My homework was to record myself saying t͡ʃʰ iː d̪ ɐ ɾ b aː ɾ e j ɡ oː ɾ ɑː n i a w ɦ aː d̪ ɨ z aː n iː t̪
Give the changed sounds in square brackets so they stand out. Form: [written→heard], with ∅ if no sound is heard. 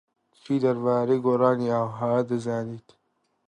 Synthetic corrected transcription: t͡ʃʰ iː d̪ ɐ ɾ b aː ɾ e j ɡ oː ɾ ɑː n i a w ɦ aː d̪ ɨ z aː n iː t̪